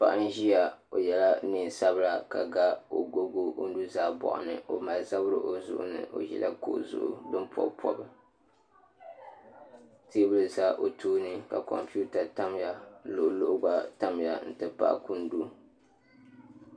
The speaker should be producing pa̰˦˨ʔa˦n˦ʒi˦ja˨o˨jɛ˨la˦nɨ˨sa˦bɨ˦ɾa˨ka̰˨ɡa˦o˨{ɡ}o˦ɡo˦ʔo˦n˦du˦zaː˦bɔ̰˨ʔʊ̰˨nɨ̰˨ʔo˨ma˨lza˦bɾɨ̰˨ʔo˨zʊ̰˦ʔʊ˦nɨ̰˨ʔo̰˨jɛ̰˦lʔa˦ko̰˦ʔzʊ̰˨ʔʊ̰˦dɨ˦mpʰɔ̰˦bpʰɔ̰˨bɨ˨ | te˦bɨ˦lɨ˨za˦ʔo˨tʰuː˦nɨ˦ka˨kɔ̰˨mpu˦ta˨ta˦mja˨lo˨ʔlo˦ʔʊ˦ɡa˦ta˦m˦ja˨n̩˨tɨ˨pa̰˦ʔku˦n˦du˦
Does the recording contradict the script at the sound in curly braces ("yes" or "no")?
no